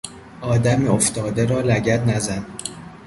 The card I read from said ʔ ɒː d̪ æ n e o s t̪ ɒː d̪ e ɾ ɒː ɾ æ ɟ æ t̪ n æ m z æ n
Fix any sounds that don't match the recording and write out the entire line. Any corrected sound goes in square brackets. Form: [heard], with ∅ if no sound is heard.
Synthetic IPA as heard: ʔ ɒː d̪ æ [m] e o [f] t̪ ɒː d̪ e ɾ ɒː [l] æ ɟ æ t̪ n æ [∅] z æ n